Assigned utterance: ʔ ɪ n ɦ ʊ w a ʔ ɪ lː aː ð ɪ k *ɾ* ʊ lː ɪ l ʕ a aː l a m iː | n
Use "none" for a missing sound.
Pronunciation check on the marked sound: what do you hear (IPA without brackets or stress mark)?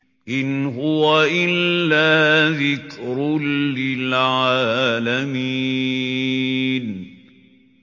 ɾ